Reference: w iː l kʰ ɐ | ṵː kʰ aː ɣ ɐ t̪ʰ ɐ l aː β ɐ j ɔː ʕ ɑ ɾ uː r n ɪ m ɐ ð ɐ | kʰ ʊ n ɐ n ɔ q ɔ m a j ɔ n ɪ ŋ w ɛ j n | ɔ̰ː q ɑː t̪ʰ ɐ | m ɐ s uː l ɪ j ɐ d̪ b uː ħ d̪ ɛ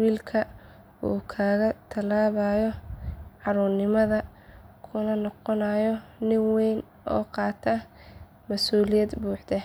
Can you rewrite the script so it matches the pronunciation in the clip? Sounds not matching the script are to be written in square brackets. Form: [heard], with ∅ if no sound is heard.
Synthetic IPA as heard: w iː l kʰ ɐ | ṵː kʰ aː ɣ ɐ t̪ʰ ɐ l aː β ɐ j [ɔ] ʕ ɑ ɾ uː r n ɪ m ɐ ð ɐ | kʰ ʊ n ɐ n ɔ q ɔ [n] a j ɔ n ɪ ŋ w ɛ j n | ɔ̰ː q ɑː t̪ʰ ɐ | m ɐ s uː l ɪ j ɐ d̪ b uː ħ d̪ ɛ